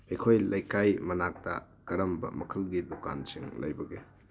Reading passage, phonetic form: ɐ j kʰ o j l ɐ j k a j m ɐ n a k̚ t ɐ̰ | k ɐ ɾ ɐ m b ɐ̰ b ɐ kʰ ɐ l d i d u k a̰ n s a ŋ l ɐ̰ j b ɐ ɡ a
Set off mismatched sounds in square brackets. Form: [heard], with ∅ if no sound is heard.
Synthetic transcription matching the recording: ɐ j kʰ o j l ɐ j k a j m ɐ n a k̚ t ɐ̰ | k ɐ ɾ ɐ m b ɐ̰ [m] ɐ kʰ ɐ l [ɡ] i d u k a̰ n s [i] ŋ l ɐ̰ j b ɐ ɡ [e]